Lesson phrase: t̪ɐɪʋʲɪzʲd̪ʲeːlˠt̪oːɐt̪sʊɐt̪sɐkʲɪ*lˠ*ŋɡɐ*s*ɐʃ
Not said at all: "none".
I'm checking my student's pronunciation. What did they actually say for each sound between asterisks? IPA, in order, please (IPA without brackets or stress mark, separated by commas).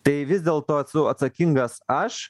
none, s